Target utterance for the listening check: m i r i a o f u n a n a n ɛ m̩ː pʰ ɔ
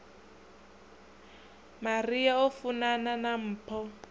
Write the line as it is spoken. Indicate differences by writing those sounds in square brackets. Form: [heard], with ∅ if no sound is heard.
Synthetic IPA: m [a] r i a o f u n a n a n [a] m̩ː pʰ ɔ